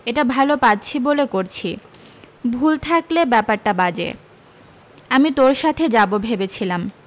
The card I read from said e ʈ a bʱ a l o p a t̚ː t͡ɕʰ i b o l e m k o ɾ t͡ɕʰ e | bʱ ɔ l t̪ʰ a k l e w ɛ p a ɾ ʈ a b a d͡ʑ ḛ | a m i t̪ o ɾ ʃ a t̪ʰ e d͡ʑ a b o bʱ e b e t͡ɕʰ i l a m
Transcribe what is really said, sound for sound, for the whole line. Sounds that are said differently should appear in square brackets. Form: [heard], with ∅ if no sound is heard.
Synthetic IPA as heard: e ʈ a bʱ a l o p a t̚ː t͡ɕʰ i b o l e [∅] k o ɾ t͡ɕʰ [i] | bʱ [u] l t̪ʰ a k l e [b] ɛ p a ɾ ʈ a b a d͡ʑ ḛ | a m i t̪ o ɾ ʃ a t̪ʰ e d͡ʑ a b o bʱ e b e t͡ɕʰ i l a m

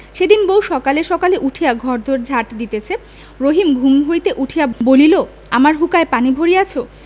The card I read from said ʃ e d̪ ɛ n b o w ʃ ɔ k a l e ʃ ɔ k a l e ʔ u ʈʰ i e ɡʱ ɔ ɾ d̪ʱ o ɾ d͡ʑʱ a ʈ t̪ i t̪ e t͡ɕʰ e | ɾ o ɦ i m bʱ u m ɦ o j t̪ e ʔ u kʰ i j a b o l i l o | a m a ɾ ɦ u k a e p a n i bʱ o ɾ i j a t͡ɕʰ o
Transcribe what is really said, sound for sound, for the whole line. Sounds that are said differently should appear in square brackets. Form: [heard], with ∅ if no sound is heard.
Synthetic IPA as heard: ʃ e d̪ [i] n b o w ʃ ɔ k a l e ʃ ɔ k a l e ʔ u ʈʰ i [a] ɡʱ ɔ ɾ d̪ʱ o ɾ d͡ʑʱ a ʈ [d̪] i t̪ e t͡ɕʰ e | ɾ o ɦ i m [ɡʱ] u m ɦ o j t̪ e ʔ u [ʈʰ] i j a b o l i l o | a m a ɾ ɦ u k a e p a n i bʱ o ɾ i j a t͡ɕʰ o

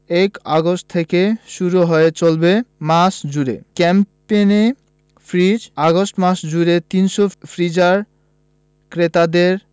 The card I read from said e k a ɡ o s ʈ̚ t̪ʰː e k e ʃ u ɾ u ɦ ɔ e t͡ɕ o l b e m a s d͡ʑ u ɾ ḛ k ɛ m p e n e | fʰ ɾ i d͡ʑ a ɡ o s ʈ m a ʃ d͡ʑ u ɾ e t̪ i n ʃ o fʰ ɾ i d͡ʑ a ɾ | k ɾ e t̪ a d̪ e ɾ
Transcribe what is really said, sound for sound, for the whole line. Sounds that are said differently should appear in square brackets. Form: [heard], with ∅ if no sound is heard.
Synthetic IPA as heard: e k a ɡ o s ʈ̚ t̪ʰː e k e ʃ u ɾ u ɦ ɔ e t͡ɕ o l b e m a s d͡ʑ u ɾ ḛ k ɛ m p e n e | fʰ ɾ i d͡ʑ a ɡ o s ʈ m a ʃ d͡ʑ u ɾ e t̪ i n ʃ o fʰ ɾ i d͡ʑ a ɾ | k ɾ e t̪ a d̪ e ɾ

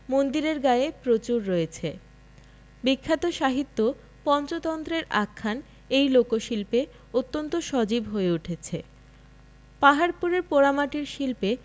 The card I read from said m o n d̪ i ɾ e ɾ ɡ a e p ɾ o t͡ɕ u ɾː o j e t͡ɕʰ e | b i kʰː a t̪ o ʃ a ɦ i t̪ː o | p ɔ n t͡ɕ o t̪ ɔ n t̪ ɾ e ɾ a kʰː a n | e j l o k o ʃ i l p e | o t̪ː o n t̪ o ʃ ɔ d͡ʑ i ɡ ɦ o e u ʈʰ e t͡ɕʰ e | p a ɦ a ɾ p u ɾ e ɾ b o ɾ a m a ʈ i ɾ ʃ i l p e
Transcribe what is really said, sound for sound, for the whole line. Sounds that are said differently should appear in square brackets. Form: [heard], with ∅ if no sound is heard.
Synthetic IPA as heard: m o n d̪ i ɾ e ɾ ɡ a e p ɾ o t͡ɕ u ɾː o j e t͡ɕʰ e | b i kʰː a t̪ o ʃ a ɦ i t̪ː o | p ɔ n t͡ɕ o t̪ ɔ n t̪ ɾ e ɾ a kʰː a n | e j l o k o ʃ i l p e | o t̪ː o n t̪ o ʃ ɔ d͡ʑ i [b] ɦ o e u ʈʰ e t͡ɕʰ e | p a ɦ a ɾ p u ɾ e ɾ [p] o ɾ a m a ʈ i ɾ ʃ i l p e

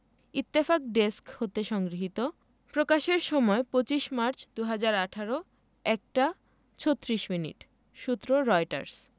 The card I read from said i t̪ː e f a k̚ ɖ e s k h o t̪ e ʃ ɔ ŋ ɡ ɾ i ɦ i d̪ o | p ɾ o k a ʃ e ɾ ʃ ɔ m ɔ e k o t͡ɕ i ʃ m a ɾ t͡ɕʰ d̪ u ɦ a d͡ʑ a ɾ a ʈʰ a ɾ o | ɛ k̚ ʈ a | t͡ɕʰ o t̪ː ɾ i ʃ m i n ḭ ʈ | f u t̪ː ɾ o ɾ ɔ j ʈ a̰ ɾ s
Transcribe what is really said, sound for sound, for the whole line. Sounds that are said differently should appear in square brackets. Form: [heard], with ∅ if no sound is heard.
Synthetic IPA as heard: i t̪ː e f a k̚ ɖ e s k h o t̪ e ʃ ɔ ŋ ɡ ɾ i ɦ i [t̪] o | p ɾ o k a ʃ e ɾ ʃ ɔ m ɔ e [p] o t͡ɕ i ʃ m a ɾ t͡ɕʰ d̪ u ɦ a d͡ʑ a ɾ a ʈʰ a ɾ o | ɛ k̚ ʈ a | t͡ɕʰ o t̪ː ɾ i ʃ m i n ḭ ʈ | [ʃ] u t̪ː ɾ o ɾ ɔ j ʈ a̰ ɾ s

